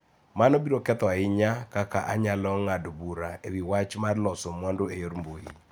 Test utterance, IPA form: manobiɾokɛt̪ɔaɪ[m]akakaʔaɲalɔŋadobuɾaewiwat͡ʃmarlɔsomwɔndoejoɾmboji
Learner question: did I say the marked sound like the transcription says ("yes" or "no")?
no